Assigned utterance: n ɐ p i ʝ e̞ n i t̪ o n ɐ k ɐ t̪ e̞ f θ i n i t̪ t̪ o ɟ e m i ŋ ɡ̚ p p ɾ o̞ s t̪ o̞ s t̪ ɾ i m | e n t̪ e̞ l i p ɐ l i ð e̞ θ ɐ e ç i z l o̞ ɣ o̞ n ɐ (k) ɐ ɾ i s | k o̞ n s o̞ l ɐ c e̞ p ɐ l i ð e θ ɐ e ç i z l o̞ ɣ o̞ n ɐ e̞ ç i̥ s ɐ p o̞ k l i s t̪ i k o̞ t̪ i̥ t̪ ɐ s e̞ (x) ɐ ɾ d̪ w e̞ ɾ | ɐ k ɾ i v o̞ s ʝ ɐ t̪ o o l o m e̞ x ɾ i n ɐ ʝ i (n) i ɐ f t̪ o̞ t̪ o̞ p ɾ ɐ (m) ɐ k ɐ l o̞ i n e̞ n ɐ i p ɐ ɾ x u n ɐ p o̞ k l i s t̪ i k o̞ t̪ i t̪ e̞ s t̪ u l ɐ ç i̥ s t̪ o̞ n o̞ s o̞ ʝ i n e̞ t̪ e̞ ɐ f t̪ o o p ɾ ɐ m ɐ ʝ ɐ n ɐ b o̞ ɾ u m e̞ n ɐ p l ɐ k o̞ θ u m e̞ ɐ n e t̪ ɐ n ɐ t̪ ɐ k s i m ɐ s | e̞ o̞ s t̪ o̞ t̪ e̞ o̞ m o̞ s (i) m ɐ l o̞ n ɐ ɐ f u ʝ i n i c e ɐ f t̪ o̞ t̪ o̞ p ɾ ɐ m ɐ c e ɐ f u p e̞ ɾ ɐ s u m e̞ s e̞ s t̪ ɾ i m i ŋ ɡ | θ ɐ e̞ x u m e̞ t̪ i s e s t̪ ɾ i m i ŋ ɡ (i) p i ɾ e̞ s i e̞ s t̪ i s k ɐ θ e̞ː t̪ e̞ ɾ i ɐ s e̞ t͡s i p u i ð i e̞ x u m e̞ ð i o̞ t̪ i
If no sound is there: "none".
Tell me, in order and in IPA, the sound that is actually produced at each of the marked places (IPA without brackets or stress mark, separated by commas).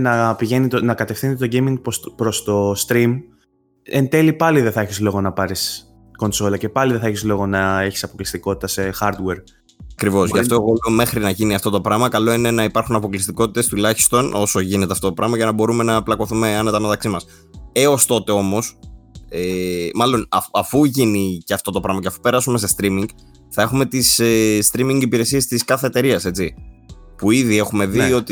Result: p, x, n, m, e, i